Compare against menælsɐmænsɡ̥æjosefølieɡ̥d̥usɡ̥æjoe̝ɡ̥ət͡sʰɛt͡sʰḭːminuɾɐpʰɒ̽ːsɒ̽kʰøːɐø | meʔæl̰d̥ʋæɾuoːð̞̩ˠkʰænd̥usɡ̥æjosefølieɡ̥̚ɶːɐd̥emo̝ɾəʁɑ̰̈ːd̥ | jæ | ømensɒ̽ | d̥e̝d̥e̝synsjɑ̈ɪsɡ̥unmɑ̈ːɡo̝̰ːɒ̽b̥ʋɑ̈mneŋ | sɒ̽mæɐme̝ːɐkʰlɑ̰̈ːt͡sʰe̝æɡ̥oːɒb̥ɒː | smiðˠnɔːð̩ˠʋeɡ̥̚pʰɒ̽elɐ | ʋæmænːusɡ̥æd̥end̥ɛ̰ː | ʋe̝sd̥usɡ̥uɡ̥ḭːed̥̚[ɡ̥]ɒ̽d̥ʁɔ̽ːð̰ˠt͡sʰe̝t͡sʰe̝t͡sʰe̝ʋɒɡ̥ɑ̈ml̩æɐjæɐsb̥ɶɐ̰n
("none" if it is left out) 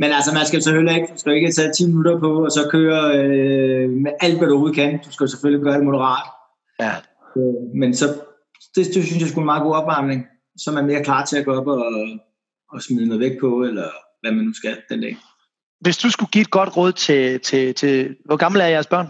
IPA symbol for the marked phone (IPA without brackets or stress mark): ɡ̥